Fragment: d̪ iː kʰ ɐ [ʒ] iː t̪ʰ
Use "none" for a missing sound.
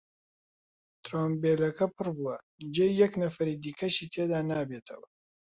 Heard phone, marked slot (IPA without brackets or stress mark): ʃ